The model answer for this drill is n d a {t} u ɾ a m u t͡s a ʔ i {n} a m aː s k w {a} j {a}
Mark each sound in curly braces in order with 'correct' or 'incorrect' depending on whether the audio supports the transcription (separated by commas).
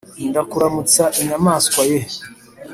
incorrect, incorrect, correct, incorrect